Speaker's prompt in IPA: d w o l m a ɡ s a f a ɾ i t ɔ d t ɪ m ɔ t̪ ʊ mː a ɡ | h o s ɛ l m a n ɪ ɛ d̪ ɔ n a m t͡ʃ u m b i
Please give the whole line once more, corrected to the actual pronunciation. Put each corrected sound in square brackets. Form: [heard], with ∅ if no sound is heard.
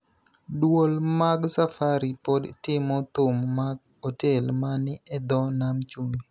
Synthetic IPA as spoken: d w o l m a ɡ s a f a ɾ i [p] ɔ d t ɪ m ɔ t̪ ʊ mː a ɡ | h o [t] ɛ l m a n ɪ ɛ d̪ ɔ n a m t͡ʃ u m b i